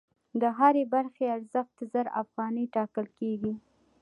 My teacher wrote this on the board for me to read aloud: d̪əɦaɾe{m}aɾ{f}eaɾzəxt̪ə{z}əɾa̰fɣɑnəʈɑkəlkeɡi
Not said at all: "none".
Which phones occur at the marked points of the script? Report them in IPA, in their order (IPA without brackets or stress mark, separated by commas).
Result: b, x, z